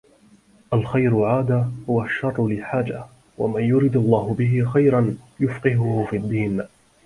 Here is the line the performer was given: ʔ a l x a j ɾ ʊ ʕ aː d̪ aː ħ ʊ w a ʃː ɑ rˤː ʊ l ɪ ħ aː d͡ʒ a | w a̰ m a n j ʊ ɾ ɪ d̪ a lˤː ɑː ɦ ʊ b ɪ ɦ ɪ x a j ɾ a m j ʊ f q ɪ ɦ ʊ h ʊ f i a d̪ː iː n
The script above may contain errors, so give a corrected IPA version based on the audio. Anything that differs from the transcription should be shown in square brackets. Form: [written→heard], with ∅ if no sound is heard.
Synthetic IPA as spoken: ʔ a l x a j ɾ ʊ ʕ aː d̪ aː [ħ→h] ʊ w a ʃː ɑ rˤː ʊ l ɪ ħ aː d͡ʒ a | w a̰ m a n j ʊ ɾ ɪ d̪ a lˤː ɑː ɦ ʊ b ɪ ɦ ɪ x a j ɾ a [m→n] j ʊ f q ɪ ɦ ʊ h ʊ f i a d̪ː iː n